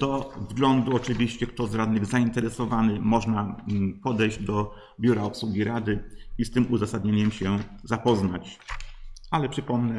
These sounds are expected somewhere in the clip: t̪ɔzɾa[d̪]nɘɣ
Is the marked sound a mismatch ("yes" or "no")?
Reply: no